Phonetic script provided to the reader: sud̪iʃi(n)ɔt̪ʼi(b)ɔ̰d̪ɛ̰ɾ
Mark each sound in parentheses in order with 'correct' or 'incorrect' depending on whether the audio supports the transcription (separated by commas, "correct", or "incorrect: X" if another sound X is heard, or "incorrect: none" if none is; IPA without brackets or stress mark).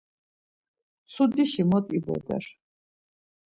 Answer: incorrect: m, correct